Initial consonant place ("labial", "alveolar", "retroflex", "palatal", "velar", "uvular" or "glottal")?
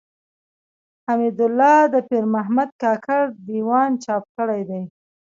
glottal